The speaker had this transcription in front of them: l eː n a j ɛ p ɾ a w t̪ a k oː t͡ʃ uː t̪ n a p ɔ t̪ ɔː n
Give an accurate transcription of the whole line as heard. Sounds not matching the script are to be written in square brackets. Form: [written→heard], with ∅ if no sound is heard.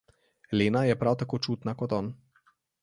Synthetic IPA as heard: l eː n a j ɛ p ɾ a w t̪ a k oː t͡ʃ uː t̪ n a [p→k] ɔ t̪ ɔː n